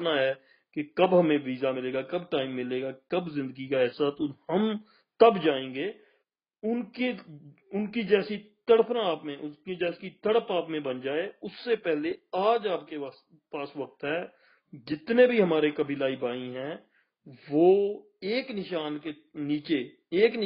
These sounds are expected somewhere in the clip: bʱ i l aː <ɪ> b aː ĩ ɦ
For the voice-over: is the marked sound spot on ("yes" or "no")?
no